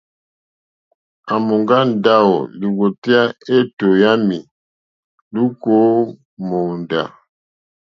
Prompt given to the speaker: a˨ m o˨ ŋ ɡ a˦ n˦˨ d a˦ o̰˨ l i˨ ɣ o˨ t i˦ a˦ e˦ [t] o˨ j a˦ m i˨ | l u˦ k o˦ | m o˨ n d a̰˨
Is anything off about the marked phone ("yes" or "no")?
no